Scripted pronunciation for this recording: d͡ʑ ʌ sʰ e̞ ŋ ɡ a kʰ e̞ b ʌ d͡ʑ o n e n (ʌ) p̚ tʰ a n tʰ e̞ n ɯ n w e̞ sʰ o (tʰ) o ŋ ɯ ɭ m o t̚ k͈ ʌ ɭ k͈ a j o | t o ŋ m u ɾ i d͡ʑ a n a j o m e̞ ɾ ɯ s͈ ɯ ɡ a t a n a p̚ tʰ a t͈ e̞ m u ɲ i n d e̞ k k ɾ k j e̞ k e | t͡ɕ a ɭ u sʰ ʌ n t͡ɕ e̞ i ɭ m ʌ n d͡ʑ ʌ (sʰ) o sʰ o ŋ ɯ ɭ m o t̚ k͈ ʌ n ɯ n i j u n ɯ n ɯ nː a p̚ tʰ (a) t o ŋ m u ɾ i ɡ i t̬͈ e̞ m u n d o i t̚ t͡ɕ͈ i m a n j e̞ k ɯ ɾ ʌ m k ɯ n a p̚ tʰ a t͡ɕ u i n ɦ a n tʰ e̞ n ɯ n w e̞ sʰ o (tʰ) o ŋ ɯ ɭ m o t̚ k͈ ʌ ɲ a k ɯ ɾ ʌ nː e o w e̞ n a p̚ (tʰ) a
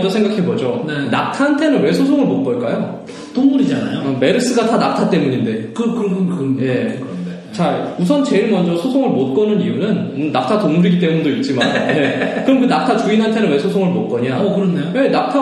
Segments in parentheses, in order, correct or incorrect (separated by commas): incorrect, incorrect, correct, correct, incorrect, correct